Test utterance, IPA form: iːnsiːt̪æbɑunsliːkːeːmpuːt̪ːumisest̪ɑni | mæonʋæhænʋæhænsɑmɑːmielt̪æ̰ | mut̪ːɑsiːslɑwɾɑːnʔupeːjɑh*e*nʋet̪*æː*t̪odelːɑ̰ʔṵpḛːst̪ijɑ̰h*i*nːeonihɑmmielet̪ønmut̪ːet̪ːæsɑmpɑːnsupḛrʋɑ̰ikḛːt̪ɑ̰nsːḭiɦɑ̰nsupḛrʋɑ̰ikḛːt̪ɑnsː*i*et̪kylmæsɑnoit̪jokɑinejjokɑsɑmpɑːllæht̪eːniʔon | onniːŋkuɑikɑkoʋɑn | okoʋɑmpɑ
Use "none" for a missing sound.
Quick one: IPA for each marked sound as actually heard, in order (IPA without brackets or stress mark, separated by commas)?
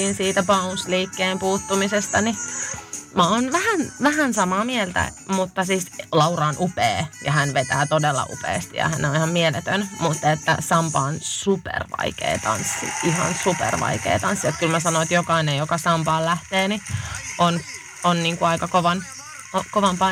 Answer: æ, æː, æ, i